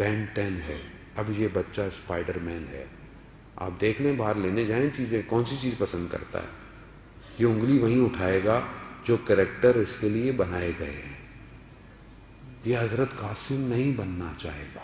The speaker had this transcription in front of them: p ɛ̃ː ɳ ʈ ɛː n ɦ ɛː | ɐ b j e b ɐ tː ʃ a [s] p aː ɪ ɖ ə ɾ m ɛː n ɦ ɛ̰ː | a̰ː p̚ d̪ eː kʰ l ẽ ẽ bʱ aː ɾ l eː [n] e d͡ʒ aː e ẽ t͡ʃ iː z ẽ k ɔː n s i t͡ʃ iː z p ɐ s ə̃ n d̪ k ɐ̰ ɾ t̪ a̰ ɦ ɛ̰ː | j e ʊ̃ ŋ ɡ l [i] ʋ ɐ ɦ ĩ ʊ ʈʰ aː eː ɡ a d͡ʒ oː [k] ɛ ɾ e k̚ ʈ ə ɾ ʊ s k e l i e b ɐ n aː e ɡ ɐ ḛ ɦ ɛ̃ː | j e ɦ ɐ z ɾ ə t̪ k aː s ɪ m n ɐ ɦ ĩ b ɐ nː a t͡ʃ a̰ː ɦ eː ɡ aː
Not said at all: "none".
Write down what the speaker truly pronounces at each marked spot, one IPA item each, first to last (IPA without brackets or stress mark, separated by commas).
s, n, i, k